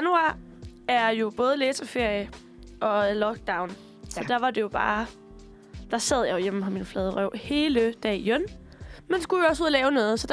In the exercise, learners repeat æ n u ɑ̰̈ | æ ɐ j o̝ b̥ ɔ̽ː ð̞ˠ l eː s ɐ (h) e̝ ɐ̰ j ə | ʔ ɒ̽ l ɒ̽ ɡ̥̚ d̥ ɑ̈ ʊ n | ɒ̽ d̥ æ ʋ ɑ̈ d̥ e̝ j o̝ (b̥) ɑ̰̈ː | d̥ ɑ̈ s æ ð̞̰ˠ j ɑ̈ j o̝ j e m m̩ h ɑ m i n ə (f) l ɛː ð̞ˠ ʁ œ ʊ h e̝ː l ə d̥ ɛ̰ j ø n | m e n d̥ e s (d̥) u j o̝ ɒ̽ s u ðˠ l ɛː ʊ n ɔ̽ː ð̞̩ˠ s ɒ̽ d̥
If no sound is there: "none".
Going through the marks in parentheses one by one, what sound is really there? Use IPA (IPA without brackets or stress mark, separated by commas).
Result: f, b̥, f, ɡ̥